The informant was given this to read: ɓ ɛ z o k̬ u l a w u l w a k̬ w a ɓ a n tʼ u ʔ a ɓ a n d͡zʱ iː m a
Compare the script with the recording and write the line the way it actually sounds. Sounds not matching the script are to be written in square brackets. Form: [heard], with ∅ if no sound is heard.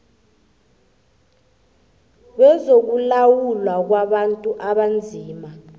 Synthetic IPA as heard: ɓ ɛ z o k̬ u l a w u l w a k̬ w a ɓ a n tʼ u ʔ a ɓ a n d͡zʱ iː m a